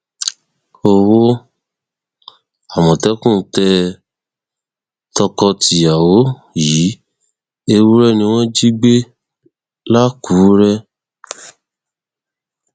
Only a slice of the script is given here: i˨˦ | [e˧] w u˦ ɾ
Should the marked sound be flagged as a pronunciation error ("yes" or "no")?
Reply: no